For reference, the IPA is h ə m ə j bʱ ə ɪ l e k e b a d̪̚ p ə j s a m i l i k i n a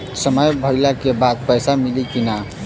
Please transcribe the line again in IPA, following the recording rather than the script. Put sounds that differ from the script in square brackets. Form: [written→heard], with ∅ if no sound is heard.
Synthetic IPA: [h→s] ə m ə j bʱ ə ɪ l [e→a] k e b a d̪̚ p ə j s a m i l i k i n a

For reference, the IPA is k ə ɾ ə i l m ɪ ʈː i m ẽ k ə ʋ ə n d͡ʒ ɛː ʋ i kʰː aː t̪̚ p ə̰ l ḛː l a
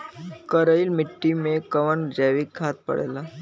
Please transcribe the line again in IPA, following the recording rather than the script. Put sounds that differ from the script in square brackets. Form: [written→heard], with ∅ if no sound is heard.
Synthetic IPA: k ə ɾ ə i l m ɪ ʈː i m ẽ k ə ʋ ə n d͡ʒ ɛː ʋ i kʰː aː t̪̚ p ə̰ [l→ɽ] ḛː l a

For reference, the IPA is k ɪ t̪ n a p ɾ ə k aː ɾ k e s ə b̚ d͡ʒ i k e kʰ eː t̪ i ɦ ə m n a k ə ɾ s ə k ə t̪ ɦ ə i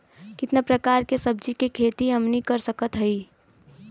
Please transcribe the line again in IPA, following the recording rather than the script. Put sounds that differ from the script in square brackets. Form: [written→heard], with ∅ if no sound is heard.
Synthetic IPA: k ɪ t̪ n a p ɾ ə k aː ɾ k e s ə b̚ d͡ʒ i k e kʰ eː t̪ i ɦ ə m n [a→i] k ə ɾ s ə k ə t̪ ɦ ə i

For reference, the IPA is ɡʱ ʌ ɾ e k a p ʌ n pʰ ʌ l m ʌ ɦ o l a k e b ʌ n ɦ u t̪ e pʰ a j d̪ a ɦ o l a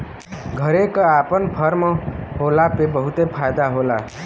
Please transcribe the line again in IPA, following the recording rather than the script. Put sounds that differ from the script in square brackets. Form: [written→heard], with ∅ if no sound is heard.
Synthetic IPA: ɡʱ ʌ ɾ e k a p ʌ n pʰ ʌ [l→ɾ] m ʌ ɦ o l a [k→p] e b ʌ [n→∅] ɦ u t̪ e pʰ a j d̪ a ɦ o l a

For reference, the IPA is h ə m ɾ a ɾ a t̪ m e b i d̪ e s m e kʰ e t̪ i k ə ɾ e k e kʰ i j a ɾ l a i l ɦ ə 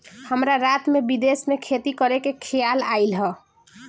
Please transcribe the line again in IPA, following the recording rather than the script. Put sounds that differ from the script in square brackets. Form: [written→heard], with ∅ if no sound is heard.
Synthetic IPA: h ə m ɾ a ɾ a t̪ m e b i d̪ e s m e kʰ e t̪ i k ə ɾ e k e kʰ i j a [ɾ→∅] l a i l ɦ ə

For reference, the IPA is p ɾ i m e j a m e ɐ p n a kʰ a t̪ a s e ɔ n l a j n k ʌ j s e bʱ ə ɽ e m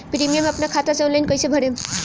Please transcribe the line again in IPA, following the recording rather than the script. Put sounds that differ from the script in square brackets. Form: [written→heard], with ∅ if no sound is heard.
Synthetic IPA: p ɾ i m [e→i] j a m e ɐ p n a kʰ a t̪ a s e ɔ n l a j n k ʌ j s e bʱ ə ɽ e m

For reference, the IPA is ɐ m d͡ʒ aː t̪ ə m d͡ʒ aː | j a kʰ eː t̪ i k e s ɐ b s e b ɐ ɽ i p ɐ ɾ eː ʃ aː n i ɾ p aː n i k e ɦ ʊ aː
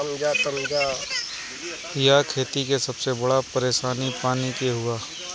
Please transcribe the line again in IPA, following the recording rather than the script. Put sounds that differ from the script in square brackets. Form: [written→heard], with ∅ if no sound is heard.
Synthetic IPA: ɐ m d͡ʒ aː t̪ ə m d͡ʒ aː | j a kʰ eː t̪ i k e s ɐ b s e b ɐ ɽ [i→a] p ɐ ɾ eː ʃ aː n i [ɾ→∅] p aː n i k e ɦ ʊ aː

